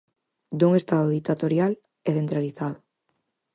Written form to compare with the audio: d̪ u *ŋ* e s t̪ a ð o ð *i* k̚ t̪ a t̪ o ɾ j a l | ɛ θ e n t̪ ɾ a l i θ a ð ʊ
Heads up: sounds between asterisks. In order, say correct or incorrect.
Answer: correct, correct

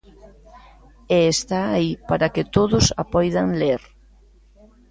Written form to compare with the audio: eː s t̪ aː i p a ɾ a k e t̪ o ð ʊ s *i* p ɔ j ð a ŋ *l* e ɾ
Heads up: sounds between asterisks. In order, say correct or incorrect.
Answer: incorrect, correct

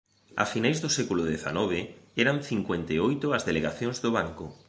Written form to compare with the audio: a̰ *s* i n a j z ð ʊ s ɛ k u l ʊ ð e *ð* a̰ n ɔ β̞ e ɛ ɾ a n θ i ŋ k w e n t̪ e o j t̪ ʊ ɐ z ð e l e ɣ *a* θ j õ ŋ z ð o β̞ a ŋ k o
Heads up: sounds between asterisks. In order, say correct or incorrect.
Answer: incorrect, incorrect, correct

